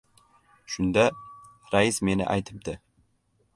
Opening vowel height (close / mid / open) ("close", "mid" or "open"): close